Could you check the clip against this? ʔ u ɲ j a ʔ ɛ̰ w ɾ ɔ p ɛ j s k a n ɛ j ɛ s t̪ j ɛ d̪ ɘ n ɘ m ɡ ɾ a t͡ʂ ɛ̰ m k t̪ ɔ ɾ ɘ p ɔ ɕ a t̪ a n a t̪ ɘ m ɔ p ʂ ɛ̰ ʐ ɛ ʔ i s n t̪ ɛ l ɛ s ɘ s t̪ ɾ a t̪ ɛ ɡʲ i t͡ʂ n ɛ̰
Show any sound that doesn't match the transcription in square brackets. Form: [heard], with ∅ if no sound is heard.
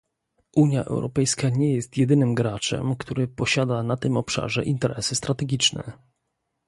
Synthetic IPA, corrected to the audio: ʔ u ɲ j a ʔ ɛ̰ w ɾ ɔ p ɛ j s k a [ɲ] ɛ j ɛ s t̪ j ɛ d̪ ɘ n ɘ m ɡ ɾ a t͡ʂ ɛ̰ m k t̪ [u] ɾ ɘ p ɔ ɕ a [d̪] a n a t̪ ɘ m ɔ p ʂ [a̰] ʐ ɛ ʔ i [∅] n t̪ ɛ [ɾ] ɛ s ɘ s t̪ ɾ a t̪ ɛ ɡʲ i t͡ʂ n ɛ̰